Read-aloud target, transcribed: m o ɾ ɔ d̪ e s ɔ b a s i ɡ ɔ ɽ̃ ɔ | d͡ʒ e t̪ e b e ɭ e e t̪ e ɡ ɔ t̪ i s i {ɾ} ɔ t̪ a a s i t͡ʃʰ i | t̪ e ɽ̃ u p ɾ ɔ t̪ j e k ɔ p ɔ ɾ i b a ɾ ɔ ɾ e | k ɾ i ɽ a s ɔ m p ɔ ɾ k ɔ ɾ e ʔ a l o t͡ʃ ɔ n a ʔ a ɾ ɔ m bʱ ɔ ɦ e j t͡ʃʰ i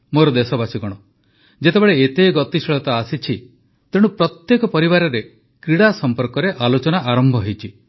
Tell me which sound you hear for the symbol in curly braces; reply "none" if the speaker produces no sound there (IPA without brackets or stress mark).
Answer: ɭ